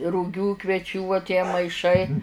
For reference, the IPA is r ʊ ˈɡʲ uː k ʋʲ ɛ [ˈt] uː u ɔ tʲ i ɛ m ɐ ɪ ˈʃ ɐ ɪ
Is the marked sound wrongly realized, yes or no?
yes